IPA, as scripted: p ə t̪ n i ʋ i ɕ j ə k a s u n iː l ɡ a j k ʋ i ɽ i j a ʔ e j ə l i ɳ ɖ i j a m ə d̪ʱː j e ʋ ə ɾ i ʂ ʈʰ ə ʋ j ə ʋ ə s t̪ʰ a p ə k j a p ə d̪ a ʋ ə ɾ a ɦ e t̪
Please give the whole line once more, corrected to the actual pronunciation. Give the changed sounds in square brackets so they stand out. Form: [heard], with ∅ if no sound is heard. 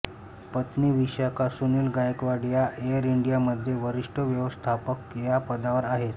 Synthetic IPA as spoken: p ə t̪ n i ʋ i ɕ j [a] k a s u n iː l ɡ a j k ʋ [a] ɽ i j a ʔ e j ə [ɾ] i ɳ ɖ i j a m ə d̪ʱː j e ʋ ə ɾ i ʂ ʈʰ ə ʋ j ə ʋ ə s t̪ʰ a p ə k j a p ə d̪ a ʋ ə ɾ a ɦ e t̪